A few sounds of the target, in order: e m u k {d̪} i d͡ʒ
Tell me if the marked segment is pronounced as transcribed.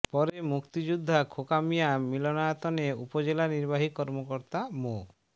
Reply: no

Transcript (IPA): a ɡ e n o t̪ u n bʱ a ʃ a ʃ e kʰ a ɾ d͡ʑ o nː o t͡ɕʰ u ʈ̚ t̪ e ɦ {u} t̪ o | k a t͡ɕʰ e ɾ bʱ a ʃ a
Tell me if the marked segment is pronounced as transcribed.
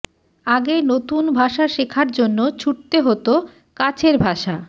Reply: no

